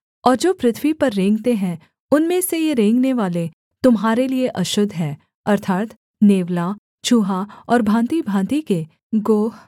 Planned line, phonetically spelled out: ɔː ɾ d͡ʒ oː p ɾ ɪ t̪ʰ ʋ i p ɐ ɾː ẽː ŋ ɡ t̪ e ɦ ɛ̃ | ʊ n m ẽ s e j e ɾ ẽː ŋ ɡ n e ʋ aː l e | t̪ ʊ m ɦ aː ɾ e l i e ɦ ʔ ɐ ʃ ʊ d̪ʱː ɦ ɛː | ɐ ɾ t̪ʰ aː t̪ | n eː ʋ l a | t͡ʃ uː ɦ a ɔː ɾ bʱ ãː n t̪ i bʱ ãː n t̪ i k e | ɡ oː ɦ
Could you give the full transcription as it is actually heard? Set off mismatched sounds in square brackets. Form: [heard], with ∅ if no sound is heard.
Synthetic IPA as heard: ɔː ɾ d͡ʒ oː p ɾ ɪ t̪ʰ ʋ i p ɐ ɾː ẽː ŋ ɡ t̪ e ɦ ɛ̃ | ʊ n m ẽ s e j e ɾ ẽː ŋ ɡ n e ʋ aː l e | t̪ ʊ m ɦ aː ɾ e l i e [∅] ʔ ɐ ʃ ʊ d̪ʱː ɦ ɛː | ɐ ɾ t̪ʰ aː t̪ | n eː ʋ l a | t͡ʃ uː ɦ a ɔː ɾ bʱ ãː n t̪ i bʱ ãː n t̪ i k e | ɡ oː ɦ

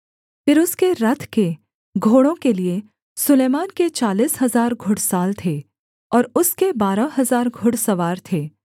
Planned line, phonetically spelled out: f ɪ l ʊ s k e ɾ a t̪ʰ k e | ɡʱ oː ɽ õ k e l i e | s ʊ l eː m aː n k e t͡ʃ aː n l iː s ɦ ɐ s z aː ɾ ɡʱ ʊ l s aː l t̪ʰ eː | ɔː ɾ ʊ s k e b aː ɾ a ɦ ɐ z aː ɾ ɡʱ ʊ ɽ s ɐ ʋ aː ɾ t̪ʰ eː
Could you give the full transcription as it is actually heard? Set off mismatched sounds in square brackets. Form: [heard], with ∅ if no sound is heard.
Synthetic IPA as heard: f ɪ [ɾ] ʊ s k e ɾ [ɐ] t̪ʰ k e | ɡʱ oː ɽ õ k e l i e | s ʊ l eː m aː n k e t͡ʃ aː [∅] l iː s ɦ ɐ [∅] z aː ɾ ɡʱ ʊ [ɽ] s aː l t̪ʰ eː | ɔː ɾ ʊ s k e b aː ɾ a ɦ ɐ z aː ɾ ɡʱ ʊ ɽ s ɐ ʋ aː ɾ t̪ʰ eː

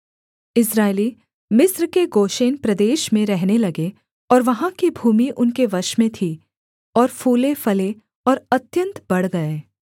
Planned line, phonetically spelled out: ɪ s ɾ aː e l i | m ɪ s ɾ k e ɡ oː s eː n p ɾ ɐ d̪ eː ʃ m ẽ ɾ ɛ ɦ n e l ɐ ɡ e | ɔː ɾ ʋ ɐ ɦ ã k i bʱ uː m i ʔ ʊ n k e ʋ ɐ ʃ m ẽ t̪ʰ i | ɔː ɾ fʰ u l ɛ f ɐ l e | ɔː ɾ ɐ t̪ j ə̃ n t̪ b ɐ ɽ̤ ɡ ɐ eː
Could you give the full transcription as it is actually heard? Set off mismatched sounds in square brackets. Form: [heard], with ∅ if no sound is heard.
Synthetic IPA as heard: ɪ s ɾ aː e l i | m ɪ s ɾ k e ɡ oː [ʃ] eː n p ɾ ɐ d̪ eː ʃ m ẽ ɾ ɛ ɦ n e l ɐ ɡ e | ɔː ɾ ʋ ɐ ɦ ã k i bʱ uː m i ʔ ʊ n k e ʋ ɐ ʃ m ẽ t̪ʰ i | ɔː ɾ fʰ [uː] l [e] f ɐ l e | ɔː ɾ ɐ t̪ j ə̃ n t̪ b ɐ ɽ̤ ɡ ɐ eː

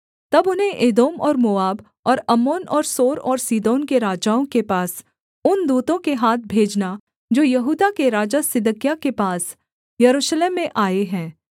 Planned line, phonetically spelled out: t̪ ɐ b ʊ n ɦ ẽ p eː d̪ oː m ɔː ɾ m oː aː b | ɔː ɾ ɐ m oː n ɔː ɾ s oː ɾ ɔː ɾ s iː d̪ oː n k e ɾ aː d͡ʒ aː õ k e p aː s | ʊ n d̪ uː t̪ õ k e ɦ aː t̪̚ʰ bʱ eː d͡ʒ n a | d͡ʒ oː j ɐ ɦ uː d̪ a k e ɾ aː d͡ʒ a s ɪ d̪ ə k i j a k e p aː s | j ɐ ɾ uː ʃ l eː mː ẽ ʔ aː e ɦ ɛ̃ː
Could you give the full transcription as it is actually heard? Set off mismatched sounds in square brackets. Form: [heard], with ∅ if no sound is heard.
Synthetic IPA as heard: t̪ ɐ b ʊ n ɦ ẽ [ʔ] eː d̪ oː m ɔː ɾ m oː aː b | ɔː ɾ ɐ m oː n ɔː ɾ s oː ɾ ɔː ɾ s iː d̪ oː n k e ɾ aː d͡ʒ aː õ k e p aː s | ʊ n d̪ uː t̪ õ k e ɦ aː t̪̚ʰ bʱ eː d͡ʒ n a | d͡ʒ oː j ɐ ɦ uː d̪ a k e ɾ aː d͡ʒ a s ɪ d̪ ə k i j a k e p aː s | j ɐ ɾ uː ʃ l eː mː ẽ ʔ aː e ɦ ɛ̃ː

